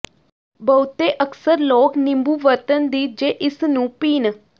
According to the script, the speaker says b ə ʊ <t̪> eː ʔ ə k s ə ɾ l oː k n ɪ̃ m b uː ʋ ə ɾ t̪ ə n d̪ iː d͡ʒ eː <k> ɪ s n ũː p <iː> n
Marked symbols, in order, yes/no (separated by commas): yes, no, yes